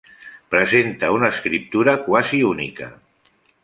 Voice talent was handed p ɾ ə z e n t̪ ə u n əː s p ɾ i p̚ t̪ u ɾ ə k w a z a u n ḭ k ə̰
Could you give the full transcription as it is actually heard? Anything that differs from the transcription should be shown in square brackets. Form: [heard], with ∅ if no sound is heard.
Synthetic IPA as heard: p ɾ ə z e n t̪ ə u n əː s [k] ɾ i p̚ t̪ u ɾ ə k w a z [i] u n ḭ k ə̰